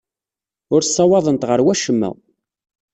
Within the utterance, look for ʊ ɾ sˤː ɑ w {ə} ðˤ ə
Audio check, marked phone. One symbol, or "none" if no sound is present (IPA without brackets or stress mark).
ɑ